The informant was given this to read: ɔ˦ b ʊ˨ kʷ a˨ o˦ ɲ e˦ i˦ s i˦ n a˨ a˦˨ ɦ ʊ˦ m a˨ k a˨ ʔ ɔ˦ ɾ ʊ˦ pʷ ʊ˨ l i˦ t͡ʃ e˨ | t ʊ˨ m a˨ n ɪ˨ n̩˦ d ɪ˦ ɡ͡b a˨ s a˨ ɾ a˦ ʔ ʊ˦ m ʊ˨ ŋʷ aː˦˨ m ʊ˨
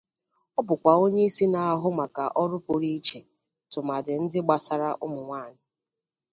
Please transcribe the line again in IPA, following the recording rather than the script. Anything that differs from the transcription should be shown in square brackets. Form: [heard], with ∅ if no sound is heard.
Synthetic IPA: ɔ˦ b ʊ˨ kʷ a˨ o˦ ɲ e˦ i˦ s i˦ n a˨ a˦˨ ɦ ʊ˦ m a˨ k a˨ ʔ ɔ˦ ɾ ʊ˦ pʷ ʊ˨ [ɾ] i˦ t͡ʃ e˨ | t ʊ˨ m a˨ [d] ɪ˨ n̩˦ d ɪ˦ ɡ͡b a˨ s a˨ ɾ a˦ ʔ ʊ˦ m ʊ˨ ŋʷ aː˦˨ [n] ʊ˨